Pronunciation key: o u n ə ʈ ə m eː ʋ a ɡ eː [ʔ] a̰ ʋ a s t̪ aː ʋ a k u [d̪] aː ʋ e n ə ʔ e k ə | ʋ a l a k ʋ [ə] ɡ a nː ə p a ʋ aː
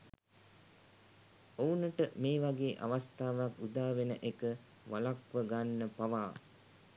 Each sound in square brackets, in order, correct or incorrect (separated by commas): correct, correct, correct